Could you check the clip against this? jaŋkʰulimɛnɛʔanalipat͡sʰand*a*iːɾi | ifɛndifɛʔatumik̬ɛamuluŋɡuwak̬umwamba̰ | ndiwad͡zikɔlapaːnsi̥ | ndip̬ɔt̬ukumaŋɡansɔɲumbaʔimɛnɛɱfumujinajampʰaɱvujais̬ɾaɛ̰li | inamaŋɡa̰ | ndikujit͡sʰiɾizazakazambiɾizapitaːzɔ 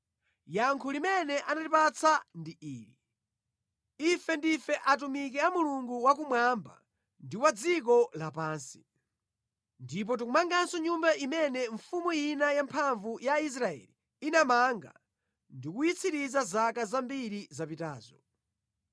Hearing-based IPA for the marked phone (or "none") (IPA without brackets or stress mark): i